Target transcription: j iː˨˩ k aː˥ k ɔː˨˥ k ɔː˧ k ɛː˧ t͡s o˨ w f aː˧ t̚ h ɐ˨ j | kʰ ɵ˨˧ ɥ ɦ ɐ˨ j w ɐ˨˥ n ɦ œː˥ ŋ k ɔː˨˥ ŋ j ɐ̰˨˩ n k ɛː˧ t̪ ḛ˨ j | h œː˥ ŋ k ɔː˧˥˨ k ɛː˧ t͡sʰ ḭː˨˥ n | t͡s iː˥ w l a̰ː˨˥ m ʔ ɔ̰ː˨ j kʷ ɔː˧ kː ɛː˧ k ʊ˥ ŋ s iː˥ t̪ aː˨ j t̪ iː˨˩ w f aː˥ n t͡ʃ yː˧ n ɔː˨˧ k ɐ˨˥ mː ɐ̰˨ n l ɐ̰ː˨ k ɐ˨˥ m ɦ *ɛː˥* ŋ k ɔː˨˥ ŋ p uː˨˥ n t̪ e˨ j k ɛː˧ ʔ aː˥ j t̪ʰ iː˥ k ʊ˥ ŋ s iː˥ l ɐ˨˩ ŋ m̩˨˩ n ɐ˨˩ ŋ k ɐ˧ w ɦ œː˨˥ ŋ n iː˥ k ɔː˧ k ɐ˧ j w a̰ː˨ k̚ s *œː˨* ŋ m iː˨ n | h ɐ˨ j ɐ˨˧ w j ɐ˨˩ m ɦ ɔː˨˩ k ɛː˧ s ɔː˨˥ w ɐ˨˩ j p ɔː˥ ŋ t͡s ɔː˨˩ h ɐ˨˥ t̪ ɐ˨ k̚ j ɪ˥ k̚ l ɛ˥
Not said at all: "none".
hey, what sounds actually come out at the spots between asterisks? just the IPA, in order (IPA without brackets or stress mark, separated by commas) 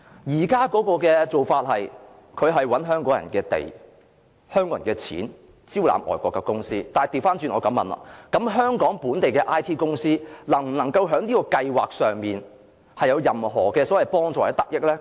œː˥, œː˨